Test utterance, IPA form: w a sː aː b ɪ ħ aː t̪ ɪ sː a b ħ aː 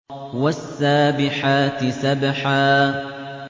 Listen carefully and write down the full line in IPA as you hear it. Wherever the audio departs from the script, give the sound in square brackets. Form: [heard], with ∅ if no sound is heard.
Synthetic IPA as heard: w a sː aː b ɪ ħ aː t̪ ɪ [s] a b ħ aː

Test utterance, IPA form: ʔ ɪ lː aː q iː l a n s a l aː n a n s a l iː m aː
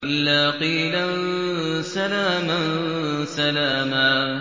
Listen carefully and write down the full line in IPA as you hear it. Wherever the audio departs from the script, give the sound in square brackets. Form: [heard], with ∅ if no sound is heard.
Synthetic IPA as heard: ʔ ɪ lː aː q iː l a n s a l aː [m] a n s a l [aː] m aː

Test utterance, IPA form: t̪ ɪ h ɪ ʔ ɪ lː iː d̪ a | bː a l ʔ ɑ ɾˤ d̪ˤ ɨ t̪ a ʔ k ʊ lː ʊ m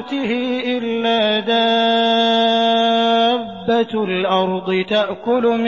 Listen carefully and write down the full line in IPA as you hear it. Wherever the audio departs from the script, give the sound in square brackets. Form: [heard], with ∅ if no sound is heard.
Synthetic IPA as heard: t̪ ɪ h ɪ ʔ ɪ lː [aː] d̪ a | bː a l ʔ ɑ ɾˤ d̪ˤ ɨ t̪ a ʔ k ʊ [l] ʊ m

